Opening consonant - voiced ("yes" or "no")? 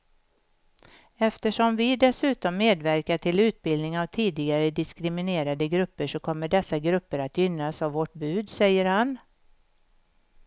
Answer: no